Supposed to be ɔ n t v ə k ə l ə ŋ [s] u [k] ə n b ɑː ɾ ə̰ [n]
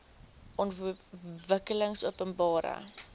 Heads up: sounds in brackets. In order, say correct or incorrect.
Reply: correct, incorrect, incorrect

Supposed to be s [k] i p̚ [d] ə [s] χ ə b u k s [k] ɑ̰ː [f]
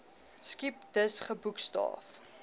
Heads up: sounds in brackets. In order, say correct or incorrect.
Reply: correct, correct, correct, incorrect, correct

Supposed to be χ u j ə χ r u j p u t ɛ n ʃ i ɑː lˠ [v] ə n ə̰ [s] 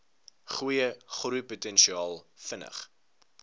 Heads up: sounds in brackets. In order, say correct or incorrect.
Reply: incorrect, incorrect

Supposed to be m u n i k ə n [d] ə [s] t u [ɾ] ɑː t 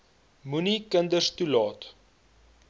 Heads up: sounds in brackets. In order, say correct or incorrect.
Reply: correct, correct, incorrect

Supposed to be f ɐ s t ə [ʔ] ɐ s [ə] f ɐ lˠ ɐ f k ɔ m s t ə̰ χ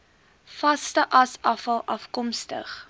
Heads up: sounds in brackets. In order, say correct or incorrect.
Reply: correct, incorrect

